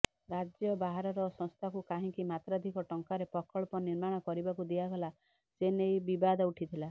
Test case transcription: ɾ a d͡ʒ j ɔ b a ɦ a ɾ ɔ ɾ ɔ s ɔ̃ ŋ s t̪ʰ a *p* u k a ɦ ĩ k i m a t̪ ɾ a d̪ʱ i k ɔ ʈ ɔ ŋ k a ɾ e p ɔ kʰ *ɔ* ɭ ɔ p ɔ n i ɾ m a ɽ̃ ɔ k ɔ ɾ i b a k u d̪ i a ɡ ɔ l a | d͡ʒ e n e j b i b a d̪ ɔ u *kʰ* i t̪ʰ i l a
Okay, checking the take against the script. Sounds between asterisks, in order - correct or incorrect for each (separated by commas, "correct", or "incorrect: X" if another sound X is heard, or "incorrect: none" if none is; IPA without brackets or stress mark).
incorrect: k, correct, incorrect: ʈʰ